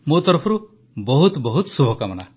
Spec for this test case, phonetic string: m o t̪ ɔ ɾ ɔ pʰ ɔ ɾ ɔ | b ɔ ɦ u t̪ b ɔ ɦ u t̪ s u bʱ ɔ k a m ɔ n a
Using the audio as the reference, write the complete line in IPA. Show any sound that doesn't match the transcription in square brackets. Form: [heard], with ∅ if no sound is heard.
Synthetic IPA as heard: m o t̪ ɔ ɾ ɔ pʰ ɔ ɾ [u] | b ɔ ɦ u t̪ b ɔ ɦ u t̪ s u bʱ ɔ k a m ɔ n a